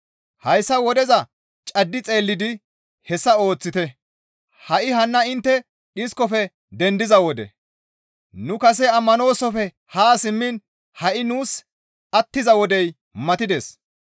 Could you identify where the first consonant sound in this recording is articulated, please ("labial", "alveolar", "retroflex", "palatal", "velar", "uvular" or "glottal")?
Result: glottal